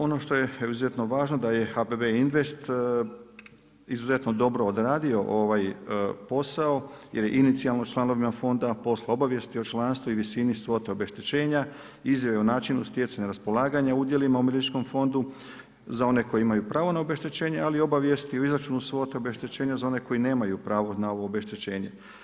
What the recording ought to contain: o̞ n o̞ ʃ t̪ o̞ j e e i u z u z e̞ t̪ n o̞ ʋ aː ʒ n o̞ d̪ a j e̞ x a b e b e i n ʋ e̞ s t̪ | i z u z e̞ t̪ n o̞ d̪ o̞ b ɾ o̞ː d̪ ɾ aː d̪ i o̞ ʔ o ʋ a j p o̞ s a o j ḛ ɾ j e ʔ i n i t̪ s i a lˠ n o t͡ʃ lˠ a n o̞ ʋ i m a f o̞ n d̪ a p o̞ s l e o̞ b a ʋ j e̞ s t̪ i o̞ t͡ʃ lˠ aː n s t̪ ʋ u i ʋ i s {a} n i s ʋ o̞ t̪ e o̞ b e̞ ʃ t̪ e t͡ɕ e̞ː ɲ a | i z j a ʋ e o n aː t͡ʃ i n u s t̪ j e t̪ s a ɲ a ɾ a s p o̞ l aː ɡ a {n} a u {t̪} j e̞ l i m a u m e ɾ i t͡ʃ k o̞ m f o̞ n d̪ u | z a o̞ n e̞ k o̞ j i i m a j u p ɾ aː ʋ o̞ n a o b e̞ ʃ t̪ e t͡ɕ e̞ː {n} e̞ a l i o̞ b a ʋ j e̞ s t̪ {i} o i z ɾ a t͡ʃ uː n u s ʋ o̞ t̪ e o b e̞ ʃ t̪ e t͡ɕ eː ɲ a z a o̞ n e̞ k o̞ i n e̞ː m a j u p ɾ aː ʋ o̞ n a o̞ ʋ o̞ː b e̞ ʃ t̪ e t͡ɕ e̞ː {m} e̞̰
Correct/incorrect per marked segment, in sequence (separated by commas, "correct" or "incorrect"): incorrect, incorrect, incorrect, incorrect, correct, incorrect